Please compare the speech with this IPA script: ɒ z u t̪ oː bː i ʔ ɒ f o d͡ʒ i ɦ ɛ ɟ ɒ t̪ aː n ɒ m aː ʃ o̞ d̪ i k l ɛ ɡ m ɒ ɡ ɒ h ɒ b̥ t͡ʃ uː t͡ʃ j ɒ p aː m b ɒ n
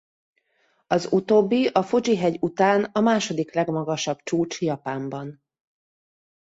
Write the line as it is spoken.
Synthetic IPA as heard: ɒ z u t̪ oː bː i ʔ ɒ f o d͡ʒ i ɦ ɛ ɟ u t̪ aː n ɒ m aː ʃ o̞ d̪ i k l ɛ ɡ m ɒ ɡ ɒ ʃ ɒ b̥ t͡ʃ uː t͡ʃ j ɒ p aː m b ɒ n